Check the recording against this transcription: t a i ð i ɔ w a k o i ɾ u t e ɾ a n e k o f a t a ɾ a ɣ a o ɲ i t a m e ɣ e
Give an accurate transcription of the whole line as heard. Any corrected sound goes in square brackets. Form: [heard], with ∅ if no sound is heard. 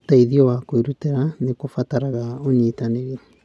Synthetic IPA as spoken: t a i ð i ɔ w a k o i ɾ u t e ɾ a n e k o f a t a ɾ a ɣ a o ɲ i t a [n] e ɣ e